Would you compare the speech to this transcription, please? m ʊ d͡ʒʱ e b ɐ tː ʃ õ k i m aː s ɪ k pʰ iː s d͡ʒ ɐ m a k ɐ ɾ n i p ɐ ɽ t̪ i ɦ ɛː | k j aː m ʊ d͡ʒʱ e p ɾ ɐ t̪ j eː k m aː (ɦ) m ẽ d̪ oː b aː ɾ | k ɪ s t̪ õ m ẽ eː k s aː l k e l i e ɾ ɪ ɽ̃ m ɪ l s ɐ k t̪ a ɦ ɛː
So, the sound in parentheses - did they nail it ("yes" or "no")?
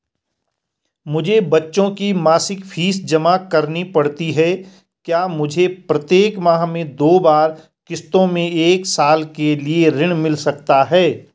yes